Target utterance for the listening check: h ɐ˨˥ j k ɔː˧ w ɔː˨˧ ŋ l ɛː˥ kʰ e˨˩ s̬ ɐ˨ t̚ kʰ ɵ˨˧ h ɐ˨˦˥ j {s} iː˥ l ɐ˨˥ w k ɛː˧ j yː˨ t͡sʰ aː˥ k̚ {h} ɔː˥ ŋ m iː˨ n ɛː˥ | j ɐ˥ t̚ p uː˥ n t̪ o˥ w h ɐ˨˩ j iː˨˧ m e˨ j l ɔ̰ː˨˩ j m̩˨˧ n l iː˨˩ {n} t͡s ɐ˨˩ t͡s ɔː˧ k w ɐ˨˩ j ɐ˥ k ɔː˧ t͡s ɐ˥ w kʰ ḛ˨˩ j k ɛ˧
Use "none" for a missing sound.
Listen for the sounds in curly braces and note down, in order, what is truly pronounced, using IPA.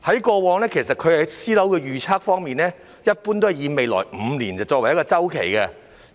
s, f, n

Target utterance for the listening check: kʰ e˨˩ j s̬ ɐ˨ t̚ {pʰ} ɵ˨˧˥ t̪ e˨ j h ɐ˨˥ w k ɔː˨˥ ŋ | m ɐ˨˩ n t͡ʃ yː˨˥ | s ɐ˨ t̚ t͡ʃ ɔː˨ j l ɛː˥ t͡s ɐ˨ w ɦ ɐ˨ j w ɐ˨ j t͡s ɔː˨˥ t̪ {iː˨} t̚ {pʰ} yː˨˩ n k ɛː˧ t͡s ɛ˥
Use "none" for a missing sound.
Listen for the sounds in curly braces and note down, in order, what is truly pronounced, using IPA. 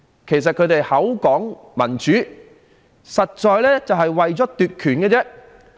kʰ, yː˨, kʰ

